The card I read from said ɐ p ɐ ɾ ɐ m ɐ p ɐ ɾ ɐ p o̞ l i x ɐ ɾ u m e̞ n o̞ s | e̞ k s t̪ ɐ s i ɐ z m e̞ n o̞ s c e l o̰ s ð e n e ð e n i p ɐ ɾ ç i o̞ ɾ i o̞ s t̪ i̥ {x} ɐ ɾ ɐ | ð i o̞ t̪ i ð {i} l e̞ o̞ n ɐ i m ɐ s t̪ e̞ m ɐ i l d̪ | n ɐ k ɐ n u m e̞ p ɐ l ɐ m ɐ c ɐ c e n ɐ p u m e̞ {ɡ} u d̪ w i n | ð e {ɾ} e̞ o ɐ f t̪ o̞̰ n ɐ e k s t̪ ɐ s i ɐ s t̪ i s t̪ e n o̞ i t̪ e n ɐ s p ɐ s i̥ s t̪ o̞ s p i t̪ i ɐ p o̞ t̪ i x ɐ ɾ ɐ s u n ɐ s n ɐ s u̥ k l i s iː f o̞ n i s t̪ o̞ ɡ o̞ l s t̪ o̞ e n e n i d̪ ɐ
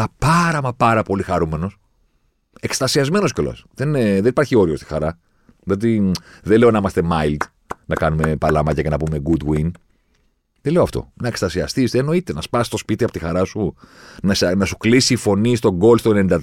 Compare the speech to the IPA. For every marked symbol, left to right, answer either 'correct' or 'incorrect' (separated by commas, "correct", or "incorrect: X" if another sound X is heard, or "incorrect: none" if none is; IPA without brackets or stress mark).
correct, incorrect: e, correct, incorrect: l